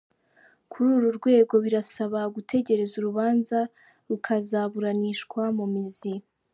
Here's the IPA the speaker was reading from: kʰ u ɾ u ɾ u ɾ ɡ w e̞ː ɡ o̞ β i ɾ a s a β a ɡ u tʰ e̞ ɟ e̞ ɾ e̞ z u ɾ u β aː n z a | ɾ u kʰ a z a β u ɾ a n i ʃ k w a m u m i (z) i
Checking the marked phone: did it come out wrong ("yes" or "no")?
no